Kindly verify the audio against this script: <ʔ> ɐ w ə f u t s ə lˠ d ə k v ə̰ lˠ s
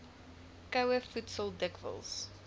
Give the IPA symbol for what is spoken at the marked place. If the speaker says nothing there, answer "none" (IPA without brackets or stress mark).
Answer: k